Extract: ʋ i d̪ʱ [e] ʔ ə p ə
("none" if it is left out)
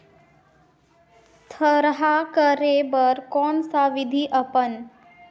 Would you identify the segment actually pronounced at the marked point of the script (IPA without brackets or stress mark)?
i